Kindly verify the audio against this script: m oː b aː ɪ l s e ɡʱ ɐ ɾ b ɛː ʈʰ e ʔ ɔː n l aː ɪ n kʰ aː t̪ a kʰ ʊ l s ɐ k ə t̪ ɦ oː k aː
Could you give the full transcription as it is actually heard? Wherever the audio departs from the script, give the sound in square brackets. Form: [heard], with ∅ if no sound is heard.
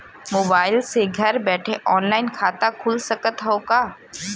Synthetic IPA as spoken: m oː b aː ɪ l s e ɡʱ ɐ ɾ b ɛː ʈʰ e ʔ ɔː n l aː ɪ n kʰ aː t̪ a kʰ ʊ l s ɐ k ə t̪ ɦ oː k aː